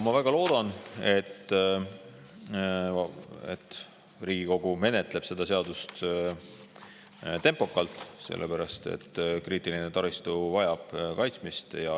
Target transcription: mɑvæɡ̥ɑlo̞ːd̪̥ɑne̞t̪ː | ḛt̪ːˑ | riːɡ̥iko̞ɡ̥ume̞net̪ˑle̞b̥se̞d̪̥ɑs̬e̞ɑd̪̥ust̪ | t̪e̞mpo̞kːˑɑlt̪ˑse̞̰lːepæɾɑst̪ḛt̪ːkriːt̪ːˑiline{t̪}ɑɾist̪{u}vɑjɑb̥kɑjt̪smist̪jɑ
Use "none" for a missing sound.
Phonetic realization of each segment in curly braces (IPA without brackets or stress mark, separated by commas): t̪, u